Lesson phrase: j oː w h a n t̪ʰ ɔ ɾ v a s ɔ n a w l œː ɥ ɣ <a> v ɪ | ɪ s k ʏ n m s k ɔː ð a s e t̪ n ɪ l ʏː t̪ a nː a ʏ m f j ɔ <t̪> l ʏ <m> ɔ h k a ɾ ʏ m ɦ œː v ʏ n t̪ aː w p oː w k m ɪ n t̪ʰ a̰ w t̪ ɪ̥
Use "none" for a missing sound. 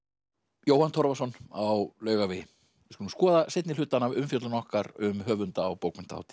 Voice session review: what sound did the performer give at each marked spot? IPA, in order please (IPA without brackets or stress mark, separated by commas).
a, t̪, n